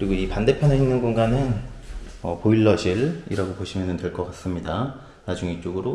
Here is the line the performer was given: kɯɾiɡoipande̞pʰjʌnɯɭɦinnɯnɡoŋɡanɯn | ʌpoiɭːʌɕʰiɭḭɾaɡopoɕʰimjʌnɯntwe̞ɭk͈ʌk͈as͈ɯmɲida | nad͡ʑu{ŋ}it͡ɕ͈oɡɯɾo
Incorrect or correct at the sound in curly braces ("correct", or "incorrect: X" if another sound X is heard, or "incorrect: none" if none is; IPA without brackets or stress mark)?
correct